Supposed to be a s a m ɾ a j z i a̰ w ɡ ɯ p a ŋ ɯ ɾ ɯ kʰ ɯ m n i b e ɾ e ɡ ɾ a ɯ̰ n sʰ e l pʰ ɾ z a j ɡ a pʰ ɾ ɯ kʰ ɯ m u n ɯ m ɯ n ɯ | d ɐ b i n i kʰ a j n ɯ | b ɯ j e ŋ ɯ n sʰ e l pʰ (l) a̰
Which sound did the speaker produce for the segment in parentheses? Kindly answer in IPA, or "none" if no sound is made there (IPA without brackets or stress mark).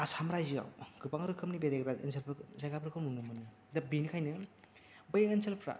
ɾ